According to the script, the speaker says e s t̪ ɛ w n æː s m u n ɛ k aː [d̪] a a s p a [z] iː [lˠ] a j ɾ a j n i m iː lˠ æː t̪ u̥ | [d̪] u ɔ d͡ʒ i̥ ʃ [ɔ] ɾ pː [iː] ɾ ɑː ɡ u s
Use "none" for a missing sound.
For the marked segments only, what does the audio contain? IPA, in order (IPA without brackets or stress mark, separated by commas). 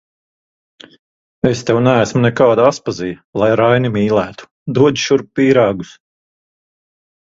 d̪, z, lˠ, d̪, u, iː